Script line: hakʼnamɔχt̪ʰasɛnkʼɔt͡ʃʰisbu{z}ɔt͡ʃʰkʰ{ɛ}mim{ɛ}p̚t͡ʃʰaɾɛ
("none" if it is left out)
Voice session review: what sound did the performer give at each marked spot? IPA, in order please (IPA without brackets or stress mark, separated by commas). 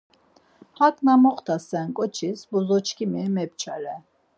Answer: z, i, ɛ